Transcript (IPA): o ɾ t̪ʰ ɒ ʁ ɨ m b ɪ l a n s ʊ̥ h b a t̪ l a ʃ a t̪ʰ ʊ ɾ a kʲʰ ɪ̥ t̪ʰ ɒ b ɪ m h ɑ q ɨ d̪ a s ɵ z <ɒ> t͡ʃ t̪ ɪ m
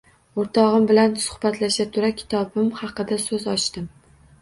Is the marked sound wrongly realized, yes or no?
no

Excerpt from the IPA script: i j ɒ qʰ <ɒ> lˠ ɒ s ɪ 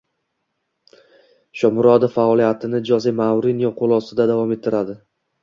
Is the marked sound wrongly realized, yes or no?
yes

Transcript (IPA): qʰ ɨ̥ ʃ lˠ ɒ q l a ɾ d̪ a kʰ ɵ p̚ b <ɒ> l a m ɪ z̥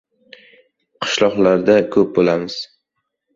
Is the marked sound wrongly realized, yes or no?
yes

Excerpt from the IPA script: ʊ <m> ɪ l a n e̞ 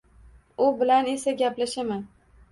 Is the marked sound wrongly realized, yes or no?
yes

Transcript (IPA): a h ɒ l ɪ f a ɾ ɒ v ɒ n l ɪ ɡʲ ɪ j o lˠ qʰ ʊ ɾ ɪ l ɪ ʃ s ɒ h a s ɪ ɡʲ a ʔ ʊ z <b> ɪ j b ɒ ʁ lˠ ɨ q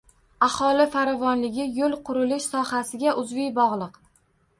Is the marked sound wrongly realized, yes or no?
yes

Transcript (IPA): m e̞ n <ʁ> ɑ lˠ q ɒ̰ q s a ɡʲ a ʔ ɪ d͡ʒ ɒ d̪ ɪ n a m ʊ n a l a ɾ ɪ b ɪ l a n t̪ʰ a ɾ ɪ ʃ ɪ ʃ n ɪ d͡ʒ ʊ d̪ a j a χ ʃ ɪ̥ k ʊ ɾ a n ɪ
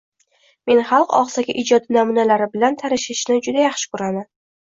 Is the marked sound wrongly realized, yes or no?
yes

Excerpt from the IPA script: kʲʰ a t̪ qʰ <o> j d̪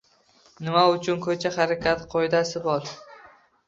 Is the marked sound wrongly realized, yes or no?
no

